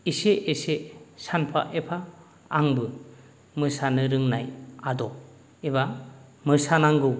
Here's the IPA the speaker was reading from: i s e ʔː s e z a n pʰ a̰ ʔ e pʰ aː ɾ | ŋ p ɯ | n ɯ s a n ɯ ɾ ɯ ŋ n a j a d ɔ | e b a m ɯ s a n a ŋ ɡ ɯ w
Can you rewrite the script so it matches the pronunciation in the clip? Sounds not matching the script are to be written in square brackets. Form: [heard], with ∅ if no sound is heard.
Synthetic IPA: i s e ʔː s e [s] a n pʰ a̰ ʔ e pʰ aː [∅] | ŋ [b] ɯ | [m] ɯ s a n ɯ ɾ ɯ ŋ n a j a d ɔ | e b a m ɯ s a n a ŋ ɡ ɯ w

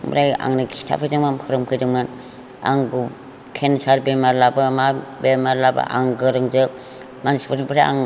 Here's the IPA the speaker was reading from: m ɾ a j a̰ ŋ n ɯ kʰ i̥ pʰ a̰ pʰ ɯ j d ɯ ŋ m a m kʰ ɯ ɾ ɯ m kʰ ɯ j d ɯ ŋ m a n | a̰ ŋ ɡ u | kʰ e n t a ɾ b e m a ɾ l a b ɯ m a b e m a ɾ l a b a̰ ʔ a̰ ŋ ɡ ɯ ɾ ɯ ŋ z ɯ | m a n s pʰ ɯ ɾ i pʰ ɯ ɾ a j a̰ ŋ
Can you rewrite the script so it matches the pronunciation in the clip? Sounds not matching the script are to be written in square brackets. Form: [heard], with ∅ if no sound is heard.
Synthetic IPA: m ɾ a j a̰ ŋ n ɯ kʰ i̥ [tʰ] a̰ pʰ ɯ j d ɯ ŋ m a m kʰ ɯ ɾ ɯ m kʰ ɯ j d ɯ ŋ m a n | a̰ ŋ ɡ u | kʰ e n [s] a ɾ b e m a ɾ l a b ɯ m a b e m a ɾ l a b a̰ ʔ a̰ ŋ ɡ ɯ ɾ ɯ ŋ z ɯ | m a n s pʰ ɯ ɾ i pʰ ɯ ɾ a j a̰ ŋ

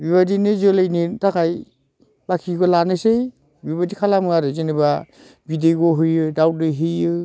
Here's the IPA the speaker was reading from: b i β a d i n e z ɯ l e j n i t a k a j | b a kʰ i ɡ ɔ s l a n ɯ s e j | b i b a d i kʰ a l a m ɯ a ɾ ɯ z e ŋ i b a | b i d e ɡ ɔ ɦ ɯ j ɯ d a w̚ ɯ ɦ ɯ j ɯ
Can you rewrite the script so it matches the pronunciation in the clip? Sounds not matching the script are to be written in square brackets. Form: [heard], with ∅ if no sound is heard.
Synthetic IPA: b i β a d i n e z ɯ l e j n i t a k a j | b a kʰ i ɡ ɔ [∅] l a n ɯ s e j | b i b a d i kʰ a l a m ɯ a ɾ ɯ z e [n] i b a | b i d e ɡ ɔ ɦ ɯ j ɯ d a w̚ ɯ ɦ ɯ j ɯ

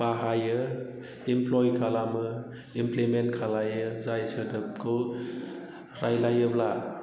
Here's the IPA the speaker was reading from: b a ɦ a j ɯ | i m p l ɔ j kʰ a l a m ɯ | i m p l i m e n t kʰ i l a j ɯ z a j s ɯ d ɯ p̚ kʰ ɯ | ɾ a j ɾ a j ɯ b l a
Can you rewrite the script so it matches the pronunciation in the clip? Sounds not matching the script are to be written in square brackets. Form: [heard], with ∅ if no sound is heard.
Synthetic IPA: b a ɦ a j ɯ | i m p l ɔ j kʰ a l a m ɯ | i m p l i m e n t kʰ [a] l a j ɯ z a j s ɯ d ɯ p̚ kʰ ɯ | ɾ a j [l] a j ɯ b l a

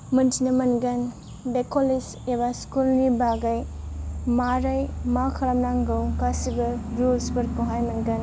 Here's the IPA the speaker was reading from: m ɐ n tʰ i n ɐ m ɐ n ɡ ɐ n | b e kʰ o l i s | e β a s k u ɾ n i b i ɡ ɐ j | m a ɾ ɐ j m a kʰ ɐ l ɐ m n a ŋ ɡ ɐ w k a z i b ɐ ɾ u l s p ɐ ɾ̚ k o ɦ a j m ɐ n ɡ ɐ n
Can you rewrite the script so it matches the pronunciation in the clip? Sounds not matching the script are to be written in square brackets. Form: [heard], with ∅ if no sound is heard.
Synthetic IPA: m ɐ n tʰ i n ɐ m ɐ n ɡ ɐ n | b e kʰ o l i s | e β a s k u [l] n i b [a] ɡ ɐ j | m a ɾ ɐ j m a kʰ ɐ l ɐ m n a ŋ ɡ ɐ w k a [s] i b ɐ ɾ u l s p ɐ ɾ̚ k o ɦ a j m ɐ n ɡ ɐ n

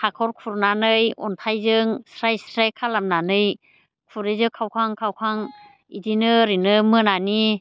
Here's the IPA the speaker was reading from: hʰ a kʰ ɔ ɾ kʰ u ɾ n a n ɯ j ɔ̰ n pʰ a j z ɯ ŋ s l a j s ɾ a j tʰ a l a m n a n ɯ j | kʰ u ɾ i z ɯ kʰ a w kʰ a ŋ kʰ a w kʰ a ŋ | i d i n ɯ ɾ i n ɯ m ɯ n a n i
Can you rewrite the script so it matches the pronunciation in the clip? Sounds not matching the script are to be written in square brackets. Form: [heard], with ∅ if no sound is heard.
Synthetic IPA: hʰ a kʰ ɔ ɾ kʰ u ɾ n a n ɯ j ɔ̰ n [tʰ] a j z ɯ ŋ s [ɾ] a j s ɾ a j [kʰ] a l a m n a n ɯ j | kʰ u ɾ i z ɯ kʰ a w kʰ a ŋ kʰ a w kʰ a ŋ | i d i n ɯ ɾ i n ɯ m ɯ n a n i

